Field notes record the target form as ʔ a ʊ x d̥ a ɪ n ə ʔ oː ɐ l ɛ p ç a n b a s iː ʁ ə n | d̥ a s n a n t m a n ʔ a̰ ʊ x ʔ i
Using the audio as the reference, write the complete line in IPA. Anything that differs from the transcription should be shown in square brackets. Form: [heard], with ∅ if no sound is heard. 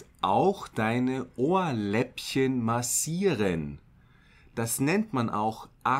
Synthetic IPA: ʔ a ʊ x d̥ a ɪ n ə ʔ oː ɐ l ɛ p ç [ə] n [m] a s iː ʁ ə n | d̥ a s n [ɛ] n t m a n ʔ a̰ ʊ x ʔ [a]